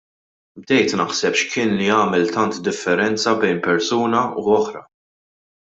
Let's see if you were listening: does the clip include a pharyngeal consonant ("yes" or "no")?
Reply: yes